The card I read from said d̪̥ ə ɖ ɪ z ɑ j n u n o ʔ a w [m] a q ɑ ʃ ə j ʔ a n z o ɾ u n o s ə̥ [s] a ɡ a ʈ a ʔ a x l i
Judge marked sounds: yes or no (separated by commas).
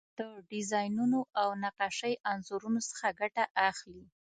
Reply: no, no